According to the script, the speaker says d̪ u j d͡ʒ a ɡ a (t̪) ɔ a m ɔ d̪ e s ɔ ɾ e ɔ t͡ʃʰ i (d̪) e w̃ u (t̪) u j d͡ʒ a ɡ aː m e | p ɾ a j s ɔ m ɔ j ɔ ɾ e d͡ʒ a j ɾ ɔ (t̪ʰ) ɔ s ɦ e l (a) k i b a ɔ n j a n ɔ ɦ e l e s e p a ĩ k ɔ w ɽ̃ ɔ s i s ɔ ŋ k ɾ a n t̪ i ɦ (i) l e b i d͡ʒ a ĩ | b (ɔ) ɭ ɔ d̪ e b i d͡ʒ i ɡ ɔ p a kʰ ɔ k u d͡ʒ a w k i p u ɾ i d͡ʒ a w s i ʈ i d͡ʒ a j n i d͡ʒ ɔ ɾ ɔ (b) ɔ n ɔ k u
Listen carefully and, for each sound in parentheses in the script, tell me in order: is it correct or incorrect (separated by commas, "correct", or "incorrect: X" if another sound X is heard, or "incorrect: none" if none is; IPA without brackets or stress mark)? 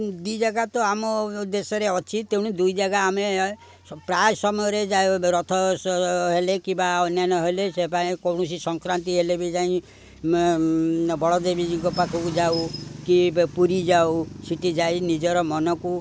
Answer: correct, incorrect: t̪, incorrect: d̪, correct, incorrect: e, incorrect: e, correct, incorrect: m